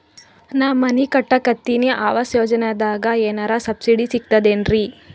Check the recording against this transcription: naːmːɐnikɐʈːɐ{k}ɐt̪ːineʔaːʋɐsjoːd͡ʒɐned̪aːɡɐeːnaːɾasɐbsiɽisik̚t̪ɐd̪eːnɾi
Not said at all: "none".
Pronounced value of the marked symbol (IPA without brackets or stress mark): k